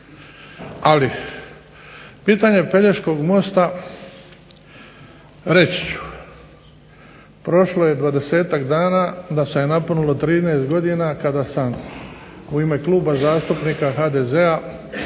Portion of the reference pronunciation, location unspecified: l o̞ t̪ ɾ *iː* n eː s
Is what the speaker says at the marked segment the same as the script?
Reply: yes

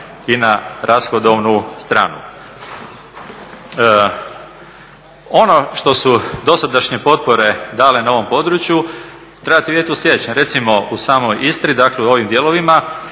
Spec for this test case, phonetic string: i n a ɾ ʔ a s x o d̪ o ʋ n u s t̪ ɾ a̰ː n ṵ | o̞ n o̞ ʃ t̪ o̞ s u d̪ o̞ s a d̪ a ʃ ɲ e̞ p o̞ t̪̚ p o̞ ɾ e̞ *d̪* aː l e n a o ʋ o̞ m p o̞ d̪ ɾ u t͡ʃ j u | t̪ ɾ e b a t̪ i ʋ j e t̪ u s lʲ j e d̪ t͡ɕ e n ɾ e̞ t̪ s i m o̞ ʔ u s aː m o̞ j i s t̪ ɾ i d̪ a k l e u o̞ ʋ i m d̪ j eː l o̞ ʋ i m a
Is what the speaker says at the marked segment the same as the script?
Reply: yes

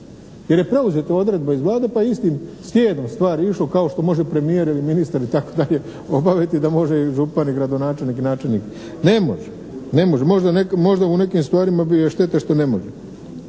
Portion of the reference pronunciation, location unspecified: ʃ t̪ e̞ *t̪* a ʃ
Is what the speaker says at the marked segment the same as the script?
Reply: yes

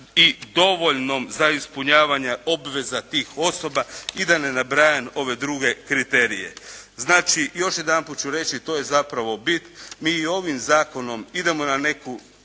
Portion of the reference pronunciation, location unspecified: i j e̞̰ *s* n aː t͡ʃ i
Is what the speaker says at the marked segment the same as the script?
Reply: no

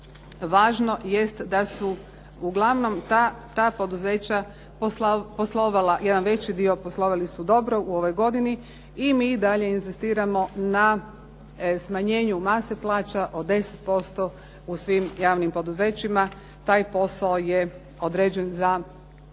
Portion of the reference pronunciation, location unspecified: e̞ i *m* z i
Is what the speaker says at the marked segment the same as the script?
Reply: no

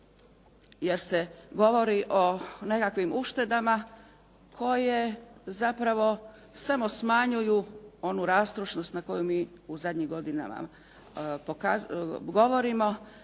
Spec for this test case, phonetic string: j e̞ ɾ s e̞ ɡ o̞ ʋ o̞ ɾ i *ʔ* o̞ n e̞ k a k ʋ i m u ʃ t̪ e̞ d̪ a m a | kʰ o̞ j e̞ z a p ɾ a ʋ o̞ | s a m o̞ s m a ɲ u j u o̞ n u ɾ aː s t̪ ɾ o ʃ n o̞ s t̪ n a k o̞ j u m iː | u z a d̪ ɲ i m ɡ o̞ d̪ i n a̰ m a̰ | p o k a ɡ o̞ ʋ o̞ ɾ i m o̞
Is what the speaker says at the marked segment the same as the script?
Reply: yes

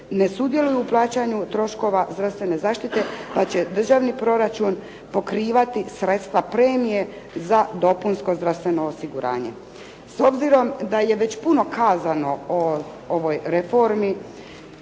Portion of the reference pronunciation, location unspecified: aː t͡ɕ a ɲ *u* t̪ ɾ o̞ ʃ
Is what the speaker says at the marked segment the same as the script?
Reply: yes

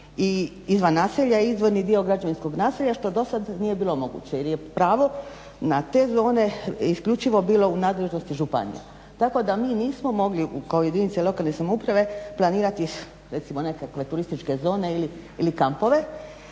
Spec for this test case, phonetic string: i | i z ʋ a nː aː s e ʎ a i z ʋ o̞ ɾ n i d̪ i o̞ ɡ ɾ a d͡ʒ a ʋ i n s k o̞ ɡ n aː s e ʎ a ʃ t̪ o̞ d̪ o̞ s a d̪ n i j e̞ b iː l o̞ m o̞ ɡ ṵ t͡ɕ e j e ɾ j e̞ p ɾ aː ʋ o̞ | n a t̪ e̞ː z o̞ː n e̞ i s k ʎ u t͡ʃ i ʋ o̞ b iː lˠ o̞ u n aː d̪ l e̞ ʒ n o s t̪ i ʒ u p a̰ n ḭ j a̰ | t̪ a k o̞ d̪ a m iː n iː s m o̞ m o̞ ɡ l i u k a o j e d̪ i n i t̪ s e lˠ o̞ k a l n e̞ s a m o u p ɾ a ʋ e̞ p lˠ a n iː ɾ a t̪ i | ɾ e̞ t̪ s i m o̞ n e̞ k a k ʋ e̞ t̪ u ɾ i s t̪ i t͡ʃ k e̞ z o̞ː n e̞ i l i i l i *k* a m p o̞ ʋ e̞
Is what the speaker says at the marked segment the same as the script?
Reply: yes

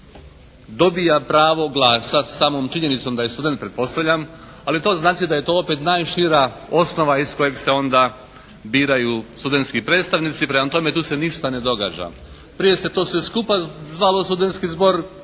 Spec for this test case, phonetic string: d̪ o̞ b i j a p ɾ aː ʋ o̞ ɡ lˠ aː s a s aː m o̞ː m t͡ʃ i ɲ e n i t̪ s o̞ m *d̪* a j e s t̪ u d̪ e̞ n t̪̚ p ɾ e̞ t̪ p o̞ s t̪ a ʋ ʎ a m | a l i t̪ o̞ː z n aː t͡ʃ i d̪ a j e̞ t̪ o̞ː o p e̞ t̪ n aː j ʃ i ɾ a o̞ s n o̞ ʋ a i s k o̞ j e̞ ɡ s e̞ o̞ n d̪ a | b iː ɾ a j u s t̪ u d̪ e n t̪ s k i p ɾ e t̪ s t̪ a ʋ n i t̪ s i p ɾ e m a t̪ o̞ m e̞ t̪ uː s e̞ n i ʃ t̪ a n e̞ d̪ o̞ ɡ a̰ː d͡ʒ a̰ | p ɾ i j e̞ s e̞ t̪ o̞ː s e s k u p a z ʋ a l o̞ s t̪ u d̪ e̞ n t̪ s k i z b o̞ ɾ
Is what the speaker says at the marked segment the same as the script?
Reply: yes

